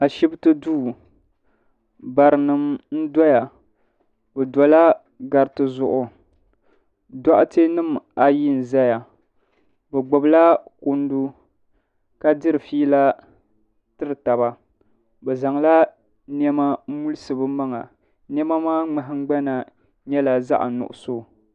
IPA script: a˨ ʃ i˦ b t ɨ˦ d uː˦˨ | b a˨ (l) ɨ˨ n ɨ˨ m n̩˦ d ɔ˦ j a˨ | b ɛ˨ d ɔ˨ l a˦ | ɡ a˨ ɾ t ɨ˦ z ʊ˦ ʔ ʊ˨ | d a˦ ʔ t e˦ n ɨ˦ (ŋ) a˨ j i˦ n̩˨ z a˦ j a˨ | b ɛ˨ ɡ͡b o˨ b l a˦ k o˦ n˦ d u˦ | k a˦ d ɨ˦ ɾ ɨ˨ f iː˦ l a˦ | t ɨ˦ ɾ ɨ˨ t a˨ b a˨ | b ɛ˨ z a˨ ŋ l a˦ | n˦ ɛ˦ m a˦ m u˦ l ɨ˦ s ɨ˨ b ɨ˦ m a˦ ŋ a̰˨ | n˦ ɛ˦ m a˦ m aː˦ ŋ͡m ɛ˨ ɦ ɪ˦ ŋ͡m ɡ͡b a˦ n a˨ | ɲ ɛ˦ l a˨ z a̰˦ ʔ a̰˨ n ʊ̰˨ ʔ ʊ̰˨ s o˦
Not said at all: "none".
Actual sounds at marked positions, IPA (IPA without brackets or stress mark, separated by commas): ɾ, m